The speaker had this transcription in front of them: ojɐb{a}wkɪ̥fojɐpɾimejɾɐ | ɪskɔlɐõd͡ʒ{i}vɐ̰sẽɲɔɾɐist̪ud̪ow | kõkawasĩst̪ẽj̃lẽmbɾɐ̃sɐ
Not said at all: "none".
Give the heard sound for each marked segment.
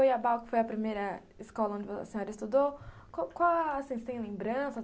a, ɪ

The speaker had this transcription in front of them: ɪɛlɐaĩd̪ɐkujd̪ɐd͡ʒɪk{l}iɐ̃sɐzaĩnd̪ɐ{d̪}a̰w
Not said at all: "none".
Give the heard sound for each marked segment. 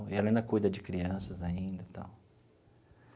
ɾ, t̪

